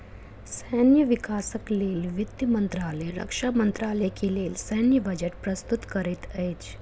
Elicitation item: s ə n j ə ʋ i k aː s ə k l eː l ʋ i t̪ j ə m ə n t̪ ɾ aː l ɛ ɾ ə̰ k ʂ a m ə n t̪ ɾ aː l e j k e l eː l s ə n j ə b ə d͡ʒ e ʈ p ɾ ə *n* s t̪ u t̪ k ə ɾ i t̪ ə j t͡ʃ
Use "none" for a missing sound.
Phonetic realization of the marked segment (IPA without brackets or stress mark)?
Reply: none